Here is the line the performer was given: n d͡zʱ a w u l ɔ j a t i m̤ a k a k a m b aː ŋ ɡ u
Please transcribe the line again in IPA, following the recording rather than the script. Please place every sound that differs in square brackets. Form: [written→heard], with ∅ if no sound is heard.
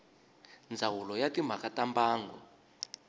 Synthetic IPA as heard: n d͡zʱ a w u l ɔ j a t i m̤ a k a [k→t] a m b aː ŋ ɡ [u→ɔ]